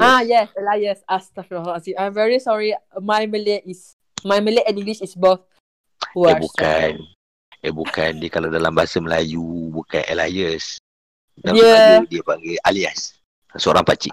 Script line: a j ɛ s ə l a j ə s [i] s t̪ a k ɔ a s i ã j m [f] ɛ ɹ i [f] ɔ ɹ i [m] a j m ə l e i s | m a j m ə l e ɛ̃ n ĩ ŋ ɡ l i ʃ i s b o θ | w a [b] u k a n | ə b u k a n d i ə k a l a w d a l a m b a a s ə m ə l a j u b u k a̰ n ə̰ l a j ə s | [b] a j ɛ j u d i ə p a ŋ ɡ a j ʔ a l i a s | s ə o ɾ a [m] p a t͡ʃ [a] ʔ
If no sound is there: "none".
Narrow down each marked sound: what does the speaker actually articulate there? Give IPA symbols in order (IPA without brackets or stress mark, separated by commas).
a, v, s, m, b, d, ŋ, i